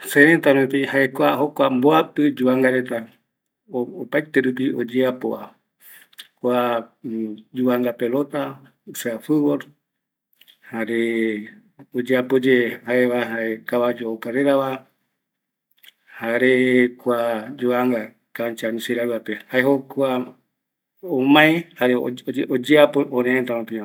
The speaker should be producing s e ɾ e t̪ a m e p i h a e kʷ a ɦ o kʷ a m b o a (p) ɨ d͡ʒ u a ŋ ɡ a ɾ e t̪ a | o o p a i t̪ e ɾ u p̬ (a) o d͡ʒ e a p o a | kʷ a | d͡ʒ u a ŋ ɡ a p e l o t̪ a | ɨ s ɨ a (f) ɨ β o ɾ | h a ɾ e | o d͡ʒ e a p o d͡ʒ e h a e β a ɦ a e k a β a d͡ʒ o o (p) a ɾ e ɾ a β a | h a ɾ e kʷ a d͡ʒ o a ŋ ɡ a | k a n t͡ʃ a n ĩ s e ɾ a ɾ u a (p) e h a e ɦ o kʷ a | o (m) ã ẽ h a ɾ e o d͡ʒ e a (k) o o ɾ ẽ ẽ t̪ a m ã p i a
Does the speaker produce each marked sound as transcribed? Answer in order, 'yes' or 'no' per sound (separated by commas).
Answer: yes, no, yes, no, yes, yes, no